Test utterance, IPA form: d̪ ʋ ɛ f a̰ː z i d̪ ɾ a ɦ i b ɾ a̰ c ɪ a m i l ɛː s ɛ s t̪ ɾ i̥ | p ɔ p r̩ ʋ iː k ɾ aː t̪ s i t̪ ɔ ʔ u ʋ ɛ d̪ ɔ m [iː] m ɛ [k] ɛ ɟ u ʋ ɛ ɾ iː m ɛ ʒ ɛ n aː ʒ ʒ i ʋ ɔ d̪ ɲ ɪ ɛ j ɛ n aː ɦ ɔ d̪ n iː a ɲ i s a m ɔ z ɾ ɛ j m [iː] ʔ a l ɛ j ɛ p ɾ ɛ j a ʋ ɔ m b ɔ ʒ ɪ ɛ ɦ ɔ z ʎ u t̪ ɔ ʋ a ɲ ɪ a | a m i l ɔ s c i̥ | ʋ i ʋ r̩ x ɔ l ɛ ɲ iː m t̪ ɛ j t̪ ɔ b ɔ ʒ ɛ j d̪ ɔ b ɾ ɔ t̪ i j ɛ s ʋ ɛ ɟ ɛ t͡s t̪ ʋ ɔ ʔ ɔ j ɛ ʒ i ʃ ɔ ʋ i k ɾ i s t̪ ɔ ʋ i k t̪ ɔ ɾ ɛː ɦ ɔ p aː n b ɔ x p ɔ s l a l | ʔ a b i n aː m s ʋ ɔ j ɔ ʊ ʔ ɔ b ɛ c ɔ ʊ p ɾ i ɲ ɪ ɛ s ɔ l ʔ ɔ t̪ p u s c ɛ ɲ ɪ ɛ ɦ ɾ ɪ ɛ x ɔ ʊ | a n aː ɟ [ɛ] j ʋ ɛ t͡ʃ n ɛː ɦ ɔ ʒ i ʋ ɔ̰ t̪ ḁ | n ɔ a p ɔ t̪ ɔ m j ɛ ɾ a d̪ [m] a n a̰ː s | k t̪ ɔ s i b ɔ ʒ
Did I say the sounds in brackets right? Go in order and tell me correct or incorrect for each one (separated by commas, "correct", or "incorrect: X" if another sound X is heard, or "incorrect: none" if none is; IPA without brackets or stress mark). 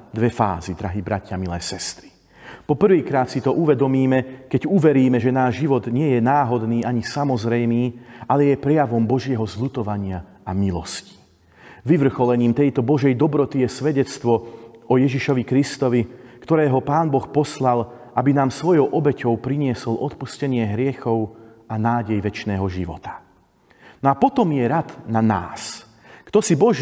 correct, correct, correct, correct, incorrect: n